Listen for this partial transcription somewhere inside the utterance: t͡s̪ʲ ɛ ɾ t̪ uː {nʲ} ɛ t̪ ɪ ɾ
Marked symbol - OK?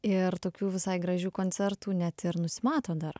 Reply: yes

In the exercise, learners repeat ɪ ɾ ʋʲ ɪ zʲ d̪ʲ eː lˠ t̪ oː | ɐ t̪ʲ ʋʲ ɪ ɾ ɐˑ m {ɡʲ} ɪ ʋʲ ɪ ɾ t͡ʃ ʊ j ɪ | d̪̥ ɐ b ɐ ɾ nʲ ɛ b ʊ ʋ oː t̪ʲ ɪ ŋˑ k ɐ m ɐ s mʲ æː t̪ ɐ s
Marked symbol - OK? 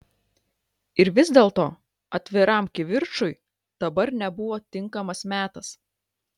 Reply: no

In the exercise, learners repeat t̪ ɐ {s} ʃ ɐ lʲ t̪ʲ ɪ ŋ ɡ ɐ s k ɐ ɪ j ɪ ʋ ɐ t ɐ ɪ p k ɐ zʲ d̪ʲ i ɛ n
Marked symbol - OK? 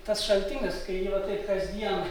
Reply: yes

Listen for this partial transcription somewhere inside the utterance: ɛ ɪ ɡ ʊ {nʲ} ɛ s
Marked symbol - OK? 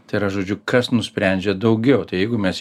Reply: no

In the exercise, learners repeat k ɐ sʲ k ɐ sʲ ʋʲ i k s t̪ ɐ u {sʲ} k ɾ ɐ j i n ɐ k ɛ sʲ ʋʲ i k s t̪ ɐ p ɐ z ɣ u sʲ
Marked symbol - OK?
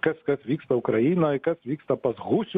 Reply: no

